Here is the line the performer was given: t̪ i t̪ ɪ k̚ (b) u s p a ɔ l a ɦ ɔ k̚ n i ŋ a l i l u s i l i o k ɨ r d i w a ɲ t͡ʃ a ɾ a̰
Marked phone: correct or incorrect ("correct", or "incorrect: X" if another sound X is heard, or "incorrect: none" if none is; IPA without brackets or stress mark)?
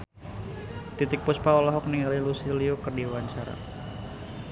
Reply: incorrect: p